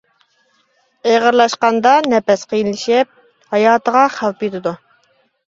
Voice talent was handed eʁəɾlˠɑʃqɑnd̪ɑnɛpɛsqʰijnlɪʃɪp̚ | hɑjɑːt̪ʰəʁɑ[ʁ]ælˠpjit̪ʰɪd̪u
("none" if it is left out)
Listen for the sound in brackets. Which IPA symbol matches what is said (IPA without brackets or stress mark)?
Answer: χ